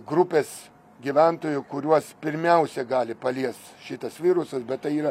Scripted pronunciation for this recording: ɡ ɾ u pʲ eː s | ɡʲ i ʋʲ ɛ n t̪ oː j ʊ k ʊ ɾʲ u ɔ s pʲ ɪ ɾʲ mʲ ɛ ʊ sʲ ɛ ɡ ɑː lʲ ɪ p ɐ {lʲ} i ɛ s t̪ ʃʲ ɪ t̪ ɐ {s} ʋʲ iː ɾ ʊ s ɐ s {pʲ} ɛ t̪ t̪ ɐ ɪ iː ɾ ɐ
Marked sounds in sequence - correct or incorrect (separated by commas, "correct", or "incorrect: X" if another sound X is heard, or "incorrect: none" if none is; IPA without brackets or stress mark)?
correct, correct, incorrect: bʲ